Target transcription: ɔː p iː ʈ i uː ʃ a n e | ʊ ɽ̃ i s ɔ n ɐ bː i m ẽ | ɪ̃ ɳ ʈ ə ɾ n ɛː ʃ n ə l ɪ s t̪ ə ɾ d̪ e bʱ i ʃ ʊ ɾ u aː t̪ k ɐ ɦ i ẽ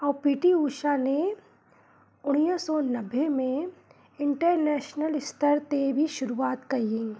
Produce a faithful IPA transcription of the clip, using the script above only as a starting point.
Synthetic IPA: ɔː p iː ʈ i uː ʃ a n e | ʊ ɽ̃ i s ɔ n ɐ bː e m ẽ | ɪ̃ ɳ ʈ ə ɾ n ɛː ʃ n ə l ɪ s t̪ ə ɾ t̪ e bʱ i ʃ ʊ ɾ u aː t̪ k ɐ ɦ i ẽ